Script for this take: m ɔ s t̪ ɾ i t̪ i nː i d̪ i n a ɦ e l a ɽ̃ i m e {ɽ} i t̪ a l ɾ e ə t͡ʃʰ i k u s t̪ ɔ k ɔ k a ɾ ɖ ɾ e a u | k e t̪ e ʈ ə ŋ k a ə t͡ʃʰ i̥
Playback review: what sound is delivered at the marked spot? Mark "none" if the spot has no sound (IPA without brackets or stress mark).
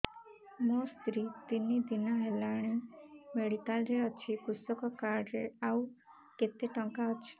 ɽ